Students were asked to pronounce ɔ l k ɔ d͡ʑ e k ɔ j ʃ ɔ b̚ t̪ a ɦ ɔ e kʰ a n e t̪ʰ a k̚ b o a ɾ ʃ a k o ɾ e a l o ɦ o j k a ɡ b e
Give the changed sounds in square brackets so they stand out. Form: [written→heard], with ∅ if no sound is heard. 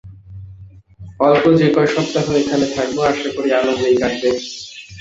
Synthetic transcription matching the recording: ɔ l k [ɔ→o] d͡ʑ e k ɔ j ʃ ɔ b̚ t̪ a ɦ [ɔ→o] e kʰ a n e t̪ʰ a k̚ b o a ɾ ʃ a k o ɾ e a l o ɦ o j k a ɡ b e